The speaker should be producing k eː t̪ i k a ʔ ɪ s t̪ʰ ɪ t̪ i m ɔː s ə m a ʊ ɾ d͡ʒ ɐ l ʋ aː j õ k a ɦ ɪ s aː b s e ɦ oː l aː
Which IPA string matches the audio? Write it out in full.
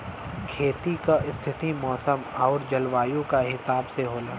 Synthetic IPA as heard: kʰ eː t̪ i k a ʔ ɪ s t̪ʰ ɪ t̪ i m ɔː s ə m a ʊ ɾ d͡ʒ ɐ l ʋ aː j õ k a ɦ ɪ s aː b s e ɦ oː l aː